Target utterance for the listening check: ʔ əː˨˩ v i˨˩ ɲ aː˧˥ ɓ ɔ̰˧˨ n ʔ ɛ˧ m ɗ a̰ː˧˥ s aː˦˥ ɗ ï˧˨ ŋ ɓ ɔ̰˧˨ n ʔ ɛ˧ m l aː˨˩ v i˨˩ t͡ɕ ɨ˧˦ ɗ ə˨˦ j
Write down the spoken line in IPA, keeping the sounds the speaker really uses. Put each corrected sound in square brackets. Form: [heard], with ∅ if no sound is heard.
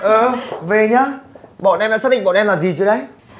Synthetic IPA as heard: ʔ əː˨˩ v [e˨˩] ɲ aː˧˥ ɓ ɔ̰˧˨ n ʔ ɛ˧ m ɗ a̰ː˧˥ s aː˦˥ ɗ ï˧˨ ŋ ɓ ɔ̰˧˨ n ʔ ɛ˧ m l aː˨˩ [z] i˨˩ t͡ɕ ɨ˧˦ ɗ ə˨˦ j